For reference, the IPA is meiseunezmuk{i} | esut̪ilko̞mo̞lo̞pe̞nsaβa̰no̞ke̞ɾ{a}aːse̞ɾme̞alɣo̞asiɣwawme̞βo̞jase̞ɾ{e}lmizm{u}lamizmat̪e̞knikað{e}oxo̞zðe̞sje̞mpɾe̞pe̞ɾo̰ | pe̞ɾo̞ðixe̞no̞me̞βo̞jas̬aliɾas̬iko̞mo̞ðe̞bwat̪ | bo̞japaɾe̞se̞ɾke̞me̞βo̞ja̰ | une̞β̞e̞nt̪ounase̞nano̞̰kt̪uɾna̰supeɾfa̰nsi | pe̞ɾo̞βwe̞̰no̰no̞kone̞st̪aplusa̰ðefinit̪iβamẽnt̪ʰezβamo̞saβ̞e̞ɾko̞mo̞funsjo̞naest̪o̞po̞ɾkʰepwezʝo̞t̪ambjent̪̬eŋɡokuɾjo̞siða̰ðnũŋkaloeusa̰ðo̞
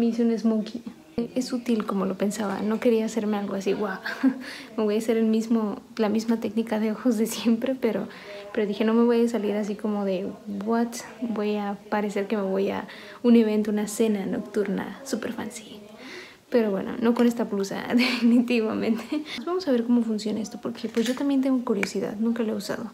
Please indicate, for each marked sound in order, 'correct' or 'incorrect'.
correct, incorrect: i, correct, incorrect: o, correct

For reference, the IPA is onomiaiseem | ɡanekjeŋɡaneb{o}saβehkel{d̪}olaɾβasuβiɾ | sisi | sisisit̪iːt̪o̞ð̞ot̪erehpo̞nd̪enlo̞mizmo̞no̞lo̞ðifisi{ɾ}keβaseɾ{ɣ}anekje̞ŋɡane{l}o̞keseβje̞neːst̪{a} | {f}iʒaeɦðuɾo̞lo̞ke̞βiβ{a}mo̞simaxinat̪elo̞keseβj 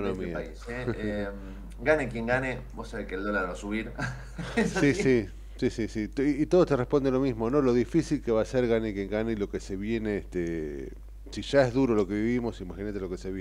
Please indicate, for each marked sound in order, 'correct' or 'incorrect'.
correct, correct, incorrect: l, correct, correct, incorrect: e, incorrect: s, incorrect: i

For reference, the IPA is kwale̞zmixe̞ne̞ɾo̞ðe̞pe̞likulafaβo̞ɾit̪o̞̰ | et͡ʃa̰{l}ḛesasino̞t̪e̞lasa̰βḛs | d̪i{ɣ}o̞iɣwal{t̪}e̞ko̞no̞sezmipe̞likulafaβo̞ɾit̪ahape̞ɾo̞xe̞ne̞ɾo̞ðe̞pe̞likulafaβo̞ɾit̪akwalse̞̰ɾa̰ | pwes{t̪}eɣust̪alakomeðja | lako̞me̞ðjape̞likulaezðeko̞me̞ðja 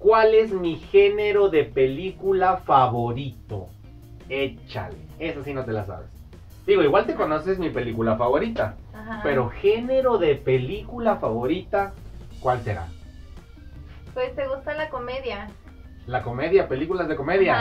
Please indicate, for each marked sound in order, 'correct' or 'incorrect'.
correct, correct, correct, correct

